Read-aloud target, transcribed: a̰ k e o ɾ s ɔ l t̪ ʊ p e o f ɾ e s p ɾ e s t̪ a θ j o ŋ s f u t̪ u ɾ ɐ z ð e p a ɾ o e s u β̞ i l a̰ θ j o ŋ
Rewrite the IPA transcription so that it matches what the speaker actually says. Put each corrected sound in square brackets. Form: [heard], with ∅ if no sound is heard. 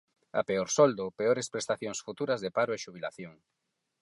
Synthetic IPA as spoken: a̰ [p] e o ɾ s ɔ l [d̪] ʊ p e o [∅] ɾ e s p ɾ e s t̪ a θ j o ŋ s f u t̪ u ɾ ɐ z ð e p a ɾ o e [ʃ] u β̞ i l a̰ θ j o ŋ